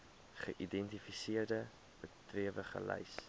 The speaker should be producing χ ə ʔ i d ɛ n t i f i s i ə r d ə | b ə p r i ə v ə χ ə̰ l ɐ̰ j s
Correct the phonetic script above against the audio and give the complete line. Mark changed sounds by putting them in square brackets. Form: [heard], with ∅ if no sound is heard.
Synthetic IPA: χ ə ʔ i d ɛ n t i f i s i ə r d ə | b ə [t] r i ə v ə χ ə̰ l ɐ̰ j s